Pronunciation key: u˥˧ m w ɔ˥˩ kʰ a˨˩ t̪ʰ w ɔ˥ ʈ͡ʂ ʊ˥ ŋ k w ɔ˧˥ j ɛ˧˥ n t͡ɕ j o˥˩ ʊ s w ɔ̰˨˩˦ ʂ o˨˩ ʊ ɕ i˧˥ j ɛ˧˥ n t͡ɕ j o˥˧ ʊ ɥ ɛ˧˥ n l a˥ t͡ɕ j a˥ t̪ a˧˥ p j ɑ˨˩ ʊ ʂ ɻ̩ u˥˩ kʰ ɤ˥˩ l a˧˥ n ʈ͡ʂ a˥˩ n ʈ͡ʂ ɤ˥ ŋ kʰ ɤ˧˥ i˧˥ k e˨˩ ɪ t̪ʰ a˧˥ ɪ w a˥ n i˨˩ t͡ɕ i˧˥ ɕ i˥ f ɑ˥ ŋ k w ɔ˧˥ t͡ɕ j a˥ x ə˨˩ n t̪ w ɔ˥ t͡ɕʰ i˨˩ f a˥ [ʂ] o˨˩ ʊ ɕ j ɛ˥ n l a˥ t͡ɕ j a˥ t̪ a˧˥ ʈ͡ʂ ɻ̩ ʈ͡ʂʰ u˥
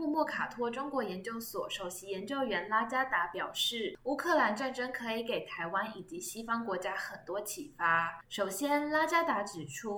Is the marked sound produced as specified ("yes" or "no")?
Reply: yes